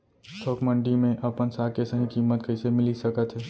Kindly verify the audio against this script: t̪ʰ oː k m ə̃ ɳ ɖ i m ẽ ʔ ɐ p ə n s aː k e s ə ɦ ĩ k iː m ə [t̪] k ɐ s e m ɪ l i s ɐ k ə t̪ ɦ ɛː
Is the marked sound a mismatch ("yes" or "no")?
no